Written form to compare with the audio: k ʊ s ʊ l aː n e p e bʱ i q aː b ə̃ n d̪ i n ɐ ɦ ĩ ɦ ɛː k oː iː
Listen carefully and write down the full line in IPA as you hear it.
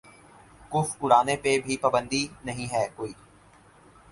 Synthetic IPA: k ʊ f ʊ ɽ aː n e p e bʱ i p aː b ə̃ n d̪ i n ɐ ɦ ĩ ɦ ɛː k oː iː

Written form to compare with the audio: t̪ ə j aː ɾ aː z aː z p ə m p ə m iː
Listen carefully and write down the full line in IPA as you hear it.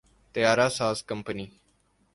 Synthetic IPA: t̪ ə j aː ɾ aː s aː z k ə m p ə n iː

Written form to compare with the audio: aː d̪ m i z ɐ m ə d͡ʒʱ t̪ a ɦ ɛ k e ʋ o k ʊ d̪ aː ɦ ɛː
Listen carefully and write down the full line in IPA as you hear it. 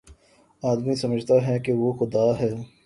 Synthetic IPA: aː d̪ m i s ɐ m ə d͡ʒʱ t̪ a ɦ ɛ k e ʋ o x ʊ d̪ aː ɦ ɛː

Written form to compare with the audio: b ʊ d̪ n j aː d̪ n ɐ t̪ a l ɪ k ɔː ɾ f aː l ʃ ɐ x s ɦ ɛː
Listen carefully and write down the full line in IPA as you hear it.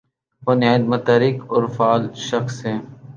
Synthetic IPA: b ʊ n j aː d̪ m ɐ t̪ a ɾ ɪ k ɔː ɾ f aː l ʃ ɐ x s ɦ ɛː

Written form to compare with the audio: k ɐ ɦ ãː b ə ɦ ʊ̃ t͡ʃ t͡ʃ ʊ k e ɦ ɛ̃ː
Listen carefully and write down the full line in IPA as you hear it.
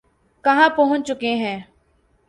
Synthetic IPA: k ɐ ɦ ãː p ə ɦ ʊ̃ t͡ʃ t͡ʃ ʊ k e ɦ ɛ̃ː

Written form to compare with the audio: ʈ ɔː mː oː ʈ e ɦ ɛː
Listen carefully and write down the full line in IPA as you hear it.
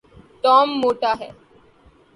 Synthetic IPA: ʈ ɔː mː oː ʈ a ɦ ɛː

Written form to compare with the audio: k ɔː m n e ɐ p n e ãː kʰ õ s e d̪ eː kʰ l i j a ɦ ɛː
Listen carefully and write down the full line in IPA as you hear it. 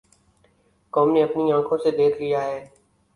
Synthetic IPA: k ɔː m n e ɐ p n i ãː kʰ õ s e d̪ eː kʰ l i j a ɦ ɛː

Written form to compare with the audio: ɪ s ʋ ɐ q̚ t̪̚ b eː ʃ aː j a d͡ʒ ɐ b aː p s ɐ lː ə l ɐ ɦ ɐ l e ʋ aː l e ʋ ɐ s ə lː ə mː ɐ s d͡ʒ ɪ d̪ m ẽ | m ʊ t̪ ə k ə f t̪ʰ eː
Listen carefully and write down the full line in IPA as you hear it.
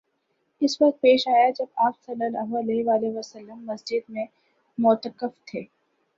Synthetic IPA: ɪ s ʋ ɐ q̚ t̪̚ p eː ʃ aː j a d͡ʒ ɐ b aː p s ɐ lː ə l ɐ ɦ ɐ l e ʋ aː l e ʋ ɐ s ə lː ə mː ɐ s d͡ʒ ɪ d̪ m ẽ | m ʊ t̪ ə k ə f t̪ʰ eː

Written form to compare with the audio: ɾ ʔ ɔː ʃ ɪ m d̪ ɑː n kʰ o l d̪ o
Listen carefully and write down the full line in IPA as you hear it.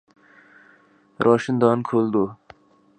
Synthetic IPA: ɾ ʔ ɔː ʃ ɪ n d̪ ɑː n kʰ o l d̪ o

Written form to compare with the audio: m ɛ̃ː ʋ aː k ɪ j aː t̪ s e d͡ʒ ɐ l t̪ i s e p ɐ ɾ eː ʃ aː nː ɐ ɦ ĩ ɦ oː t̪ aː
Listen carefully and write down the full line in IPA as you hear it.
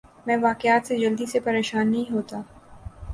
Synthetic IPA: m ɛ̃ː ʋ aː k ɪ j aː t̪ s e d͡ʒ ɐ l d̪ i s e p ɐ ɾ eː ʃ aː nː ɐ ɦ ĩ ɦ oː t̪ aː

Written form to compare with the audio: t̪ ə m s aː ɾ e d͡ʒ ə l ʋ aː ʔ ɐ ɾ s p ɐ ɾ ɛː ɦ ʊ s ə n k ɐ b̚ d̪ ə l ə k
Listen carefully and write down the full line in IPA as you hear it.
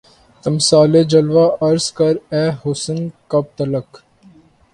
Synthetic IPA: t̪ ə m s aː l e d͡ʒ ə l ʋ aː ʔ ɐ ɾ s k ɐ ɾ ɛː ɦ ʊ s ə n k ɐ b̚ t̪ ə l ə k

